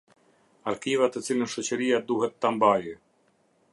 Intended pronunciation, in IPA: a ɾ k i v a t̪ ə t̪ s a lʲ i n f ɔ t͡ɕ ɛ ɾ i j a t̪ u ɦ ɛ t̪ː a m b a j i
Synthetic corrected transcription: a ɾ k i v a t̪ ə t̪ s i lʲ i n ʃ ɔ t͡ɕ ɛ ɾ i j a d̪ u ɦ ɛ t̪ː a m b a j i